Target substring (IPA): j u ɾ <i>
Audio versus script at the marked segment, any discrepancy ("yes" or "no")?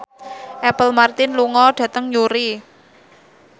no